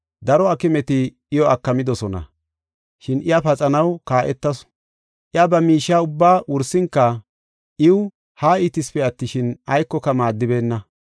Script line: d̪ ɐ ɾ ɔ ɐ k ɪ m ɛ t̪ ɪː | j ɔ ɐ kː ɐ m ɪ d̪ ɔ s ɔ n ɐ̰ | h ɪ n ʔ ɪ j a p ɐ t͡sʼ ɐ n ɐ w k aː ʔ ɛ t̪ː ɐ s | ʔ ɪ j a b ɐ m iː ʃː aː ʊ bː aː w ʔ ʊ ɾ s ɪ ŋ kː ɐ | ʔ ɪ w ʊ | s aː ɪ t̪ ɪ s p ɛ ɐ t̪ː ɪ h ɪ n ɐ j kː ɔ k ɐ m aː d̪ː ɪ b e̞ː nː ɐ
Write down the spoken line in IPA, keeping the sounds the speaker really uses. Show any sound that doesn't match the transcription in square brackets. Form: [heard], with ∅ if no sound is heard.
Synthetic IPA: d̪ ɐ ɾ ɔ ɐ k ɪ m ɛ t̪ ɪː | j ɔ ɐ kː ɐ m ɪ d̪ ɔ s ɔ n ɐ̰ | [ʃ] ɪ n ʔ ɪ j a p ɐ t͡sʼ ɐ n ɐ w k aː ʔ ɛ t̪ː ɐ s | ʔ ɪ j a b ɐ m iː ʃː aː ʊ bː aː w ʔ ʊ ɾ s ɪ ŋ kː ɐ | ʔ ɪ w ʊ | [h] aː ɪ t̪ ɪ s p ɛ ɐ t̪ː ɪ [ʃ] ɪ n ɐ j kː ɔ k ɐ m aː d̪ː ɪ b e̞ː nː ɐ